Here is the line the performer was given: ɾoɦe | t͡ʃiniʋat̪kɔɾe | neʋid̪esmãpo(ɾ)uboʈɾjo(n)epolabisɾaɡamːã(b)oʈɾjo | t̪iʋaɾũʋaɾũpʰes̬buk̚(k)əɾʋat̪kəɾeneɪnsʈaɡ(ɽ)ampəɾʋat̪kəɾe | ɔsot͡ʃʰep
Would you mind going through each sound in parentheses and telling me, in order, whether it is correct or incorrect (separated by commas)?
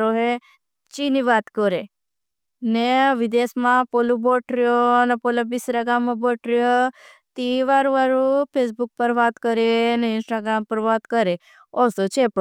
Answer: incorrect, correct, correct, incorrect, incorrect